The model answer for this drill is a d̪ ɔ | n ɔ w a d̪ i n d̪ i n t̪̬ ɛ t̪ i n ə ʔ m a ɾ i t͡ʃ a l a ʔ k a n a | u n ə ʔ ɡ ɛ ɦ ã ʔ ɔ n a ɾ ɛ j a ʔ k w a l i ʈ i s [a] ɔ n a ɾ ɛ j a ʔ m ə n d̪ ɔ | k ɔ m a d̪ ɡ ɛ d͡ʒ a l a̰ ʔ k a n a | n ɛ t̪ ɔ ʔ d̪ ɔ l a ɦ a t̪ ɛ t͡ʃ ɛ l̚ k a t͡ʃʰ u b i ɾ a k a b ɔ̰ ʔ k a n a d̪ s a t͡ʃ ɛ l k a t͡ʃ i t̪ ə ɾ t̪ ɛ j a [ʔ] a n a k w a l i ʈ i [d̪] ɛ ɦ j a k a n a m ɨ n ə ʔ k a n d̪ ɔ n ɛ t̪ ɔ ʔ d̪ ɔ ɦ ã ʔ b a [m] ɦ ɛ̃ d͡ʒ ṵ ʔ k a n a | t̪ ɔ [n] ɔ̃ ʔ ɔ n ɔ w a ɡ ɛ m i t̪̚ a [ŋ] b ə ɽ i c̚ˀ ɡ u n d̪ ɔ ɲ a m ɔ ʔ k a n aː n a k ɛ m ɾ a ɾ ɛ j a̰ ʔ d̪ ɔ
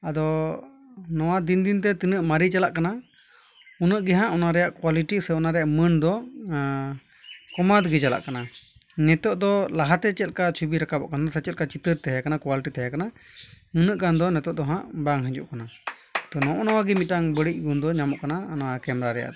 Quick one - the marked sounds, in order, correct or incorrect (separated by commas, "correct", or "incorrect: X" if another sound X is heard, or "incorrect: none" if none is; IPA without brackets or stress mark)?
incorrect: ɛ, incorrect: k, incorrect: t̪, incorrect: ŋ, correct, correct